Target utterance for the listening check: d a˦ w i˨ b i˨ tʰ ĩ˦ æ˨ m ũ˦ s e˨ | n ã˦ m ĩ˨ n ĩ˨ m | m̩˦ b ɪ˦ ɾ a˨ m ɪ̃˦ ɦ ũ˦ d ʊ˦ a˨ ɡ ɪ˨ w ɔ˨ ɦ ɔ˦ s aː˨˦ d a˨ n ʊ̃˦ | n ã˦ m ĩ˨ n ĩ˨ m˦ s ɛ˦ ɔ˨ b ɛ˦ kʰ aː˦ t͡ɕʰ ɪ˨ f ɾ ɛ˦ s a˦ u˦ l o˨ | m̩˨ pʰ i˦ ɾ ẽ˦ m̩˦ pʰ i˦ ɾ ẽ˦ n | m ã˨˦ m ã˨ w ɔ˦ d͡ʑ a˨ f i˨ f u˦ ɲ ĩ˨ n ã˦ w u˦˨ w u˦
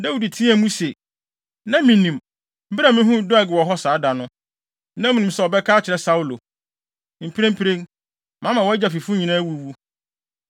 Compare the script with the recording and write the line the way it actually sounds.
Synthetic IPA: d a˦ w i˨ d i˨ tʰ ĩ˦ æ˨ m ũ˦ s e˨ | n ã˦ m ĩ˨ n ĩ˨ m | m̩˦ b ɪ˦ ɾ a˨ m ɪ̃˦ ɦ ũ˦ d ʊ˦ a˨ ɡ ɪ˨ w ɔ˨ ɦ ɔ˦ s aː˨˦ d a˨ n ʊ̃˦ | n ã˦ m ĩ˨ n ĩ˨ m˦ s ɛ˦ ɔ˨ b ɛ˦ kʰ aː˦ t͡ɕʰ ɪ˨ ɾ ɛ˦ s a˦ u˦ l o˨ | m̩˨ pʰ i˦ ɾ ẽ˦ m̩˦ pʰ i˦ ɾ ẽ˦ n | m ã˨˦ m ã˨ w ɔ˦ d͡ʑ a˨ f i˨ f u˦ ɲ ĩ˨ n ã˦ w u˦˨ w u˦